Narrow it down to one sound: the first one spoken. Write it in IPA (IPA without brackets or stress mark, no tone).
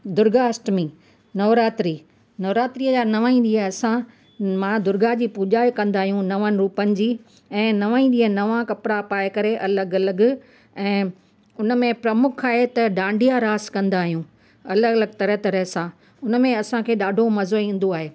d̪